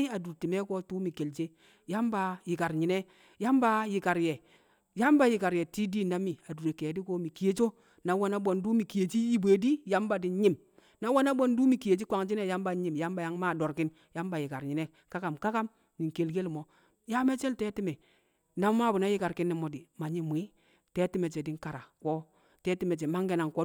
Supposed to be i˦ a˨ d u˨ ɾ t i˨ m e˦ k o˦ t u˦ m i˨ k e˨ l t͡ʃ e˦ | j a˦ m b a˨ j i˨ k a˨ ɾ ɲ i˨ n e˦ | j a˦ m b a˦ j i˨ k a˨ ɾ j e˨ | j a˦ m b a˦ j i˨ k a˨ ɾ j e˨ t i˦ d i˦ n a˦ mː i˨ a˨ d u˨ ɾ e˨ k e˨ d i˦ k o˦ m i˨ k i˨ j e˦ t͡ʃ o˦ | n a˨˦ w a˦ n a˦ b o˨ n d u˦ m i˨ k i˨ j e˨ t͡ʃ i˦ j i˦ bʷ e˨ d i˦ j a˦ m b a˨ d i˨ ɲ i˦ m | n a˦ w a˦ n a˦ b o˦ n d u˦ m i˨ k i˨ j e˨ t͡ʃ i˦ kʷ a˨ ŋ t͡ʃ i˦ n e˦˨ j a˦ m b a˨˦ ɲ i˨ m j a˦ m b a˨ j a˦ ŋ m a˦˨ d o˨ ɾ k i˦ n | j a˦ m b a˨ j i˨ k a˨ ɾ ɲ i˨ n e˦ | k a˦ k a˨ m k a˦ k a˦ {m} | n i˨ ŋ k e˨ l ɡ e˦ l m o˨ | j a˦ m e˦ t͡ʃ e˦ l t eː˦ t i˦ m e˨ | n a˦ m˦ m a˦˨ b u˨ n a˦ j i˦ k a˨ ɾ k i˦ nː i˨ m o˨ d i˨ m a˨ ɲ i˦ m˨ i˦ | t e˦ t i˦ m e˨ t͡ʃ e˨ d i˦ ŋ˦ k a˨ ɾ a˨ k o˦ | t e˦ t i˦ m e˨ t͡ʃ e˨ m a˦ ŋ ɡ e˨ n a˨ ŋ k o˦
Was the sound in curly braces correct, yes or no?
yes